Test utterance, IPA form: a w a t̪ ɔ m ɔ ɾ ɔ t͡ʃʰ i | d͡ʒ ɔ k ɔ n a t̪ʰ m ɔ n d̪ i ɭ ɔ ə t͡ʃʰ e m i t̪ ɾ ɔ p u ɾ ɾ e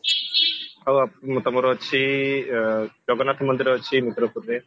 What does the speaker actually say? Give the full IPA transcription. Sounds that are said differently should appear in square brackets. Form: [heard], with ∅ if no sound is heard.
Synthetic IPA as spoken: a w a t̪ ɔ m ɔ ɾ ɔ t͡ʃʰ i | d͡ʒ ɔ [ɡ] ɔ n a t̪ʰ m ɔ n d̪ i [ɾ] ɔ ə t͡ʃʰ [i] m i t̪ ɾ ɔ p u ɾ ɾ e